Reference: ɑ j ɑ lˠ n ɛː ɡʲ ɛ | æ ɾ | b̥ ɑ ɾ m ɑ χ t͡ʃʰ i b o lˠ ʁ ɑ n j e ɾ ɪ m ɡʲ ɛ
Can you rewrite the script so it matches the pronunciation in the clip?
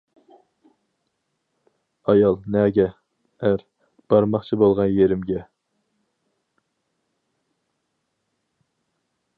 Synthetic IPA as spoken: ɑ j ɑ lˠ n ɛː ɡʲ ɛ | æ ɾ | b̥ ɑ ɾ m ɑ χ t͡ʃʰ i b o lˠ ʁ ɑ n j e ɾ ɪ m ɡʲ ɛ